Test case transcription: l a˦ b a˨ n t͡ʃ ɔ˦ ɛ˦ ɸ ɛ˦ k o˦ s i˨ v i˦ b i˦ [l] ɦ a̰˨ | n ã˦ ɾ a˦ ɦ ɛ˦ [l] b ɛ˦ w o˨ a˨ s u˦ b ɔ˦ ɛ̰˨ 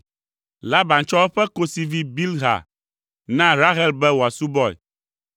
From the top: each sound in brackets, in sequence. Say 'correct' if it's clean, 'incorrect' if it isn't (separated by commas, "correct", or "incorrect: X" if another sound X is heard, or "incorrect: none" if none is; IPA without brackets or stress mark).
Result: correct, correct